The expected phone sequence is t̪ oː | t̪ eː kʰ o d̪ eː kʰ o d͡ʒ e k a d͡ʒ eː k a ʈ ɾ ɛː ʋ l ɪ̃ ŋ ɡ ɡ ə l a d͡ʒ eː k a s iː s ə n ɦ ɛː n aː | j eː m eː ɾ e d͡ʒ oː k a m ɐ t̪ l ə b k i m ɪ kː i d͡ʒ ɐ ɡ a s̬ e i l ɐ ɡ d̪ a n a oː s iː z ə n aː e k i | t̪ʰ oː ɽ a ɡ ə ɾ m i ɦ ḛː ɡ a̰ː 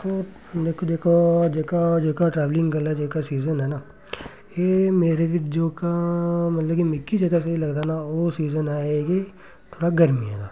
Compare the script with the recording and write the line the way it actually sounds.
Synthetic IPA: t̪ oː | d̪ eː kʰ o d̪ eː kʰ o d͡ʒ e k a d͡ʒ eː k a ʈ ɾ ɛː ʋ l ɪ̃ ŋ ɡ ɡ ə l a d͡ʒ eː k a s iː z ə n ɦ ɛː n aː | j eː m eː ɾ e d͡ʒ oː k a m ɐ t̪ l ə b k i m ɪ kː i d͡ʒ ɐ ɡ a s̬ e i l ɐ ɡ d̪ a n a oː s iː z ə n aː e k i | t̪ʰ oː ɽ a ɡ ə ɾ m i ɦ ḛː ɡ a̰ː